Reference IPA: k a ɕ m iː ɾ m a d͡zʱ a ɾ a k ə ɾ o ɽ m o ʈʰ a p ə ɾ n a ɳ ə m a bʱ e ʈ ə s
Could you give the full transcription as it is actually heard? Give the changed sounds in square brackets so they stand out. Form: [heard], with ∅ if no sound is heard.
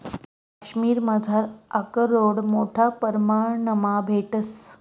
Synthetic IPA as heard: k a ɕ m iː ɾ m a d͡zʱ a ɾ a k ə ɾ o ɽ m o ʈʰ a p ə ɾ [m] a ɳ ə m a bʱ e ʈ ə s